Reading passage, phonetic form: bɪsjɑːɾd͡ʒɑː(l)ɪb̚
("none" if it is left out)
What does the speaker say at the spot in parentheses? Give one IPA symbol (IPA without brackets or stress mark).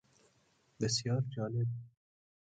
l